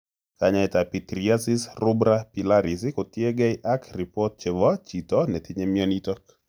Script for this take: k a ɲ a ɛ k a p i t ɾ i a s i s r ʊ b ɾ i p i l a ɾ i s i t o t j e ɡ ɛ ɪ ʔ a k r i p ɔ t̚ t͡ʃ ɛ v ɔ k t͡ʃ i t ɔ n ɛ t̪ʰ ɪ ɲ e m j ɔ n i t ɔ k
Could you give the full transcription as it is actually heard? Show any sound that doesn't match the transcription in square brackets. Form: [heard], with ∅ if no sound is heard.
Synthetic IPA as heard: k a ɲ a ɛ [t] a p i t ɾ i a s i s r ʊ b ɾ [a] p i l a ɾ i s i [k] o t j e ɡ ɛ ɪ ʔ a k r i p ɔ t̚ t͡ʃ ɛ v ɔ [∅] t͡ʃ i t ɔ n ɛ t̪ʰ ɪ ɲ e m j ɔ n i t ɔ k